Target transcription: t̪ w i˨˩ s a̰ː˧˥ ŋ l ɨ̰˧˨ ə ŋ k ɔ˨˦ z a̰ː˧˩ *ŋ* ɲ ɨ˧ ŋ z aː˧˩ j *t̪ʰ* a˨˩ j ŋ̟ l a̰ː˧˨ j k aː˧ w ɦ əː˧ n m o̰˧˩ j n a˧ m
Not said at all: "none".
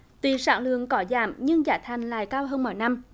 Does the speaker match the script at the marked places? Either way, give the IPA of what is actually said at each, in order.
m, t̪ʰ

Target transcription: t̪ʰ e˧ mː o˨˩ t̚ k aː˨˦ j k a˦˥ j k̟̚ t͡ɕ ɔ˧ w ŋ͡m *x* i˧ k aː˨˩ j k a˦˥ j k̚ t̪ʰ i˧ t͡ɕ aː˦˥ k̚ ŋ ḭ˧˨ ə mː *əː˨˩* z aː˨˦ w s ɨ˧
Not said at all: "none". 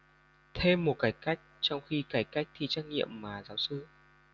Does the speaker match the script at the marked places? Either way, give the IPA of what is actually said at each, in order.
x, aː˨˩

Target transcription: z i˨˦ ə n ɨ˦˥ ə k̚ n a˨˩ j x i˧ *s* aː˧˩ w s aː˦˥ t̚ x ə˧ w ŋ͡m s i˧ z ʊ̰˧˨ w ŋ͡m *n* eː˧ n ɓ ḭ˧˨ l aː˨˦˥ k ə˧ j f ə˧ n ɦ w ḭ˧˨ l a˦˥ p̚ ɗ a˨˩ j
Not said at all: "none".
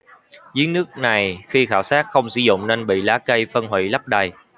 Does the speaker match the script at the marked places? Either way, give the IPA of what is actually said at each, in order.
x, n

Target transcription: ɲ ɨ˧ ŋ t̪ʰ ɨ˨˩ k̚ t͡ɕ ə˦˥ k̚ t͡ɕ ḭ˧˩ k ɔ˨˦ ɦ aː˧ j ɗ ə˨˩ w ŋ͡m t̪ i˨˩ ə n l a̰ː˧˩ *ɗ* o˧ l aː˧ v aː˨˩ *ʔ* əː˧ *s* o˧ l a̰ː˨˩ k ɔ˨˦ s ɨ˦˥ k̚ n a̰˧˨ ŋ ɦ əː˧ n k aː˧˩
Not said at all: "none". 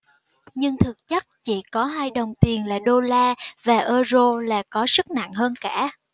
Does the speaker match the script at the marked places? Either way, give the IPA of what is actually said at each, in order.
ɗ, ʔ, z

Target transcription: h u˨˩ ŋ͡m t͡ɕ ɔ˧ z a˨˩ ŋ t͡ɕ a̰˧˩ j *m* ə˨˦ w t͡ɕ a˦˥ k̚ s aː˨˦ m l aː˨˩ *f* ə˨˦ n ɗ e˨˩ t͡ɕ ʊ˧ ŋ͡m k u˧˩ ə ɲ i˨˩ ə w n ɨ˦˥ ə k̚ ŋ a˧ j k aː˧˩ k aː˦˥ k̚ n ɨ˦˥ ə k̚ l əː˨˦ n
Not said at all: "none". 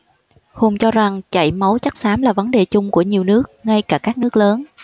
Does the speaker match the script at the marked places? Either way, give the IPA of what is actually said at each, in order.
m, v

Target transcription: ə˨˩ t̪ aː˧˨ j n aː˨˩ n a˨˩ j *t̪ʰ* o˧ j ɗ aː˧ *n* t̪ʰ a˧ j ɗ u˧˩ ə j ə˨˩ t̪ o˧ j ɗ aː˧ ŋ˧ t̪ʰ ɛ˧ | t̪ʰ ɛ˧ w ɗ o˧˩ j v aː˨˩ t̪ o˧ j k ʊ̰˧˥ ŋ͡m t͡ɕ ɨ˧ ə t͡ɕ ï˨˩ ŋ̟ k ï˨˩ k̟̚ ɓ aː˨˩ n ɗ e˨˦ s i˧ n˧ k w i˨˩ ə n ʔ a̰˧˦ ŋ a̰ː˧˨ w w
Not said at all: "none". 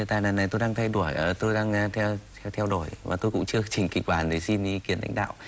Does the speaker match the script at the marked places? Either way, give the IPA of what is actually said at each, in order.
t̪, ŋ

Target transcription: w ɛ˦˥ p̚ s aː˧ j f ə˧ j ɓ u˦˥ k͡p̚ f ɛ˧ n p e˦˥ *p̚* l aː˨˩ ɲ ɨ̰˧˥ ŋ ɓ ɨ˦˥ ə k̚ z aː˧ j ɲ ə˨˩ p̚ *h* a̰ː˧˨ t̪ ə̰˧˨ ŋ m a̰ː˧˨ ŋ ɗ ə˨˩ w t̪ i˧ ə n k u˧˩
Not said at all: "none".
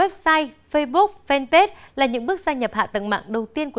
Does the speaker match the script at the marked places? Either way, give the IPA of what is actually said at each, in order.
t̚, h

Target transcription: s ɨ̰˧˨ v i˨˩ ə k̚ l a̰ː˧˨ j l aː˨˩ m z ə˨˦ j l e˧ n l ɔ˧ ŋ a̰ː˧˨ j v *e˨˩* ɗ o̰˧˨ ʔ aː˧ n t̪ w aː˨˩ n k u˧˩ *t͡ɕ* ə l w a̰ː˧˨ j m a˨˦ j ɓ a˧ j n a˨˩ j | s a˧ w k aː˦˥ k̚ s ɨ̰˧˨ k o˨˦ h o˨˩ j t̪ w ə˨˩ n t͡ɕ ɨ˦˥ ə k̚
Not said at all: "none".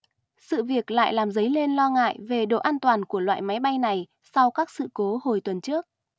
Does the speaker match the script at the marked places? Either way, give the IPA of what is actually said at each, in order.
e˨˩, none

